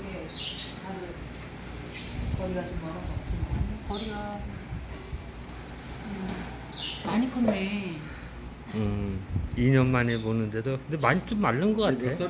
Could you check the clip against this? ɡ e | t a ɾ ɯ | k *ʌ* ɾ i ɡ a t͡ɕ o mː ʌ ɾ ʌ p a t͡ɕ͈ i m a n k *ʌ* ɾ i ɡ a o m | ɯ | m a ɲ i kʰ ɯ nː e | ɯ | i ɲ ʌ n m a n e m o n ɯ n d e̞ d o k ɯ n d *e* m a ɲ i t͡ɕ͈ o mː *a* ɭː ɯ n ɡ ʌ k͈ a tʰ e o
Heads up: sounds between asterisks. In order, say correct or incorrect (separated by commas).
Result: correct, correct, correct, correct